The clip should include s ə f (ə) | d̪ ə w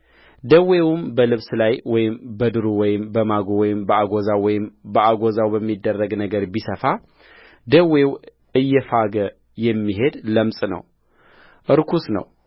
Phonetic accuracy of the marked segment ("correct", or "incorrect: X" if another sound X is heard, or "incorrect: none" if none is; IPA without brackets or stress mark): incorrect: a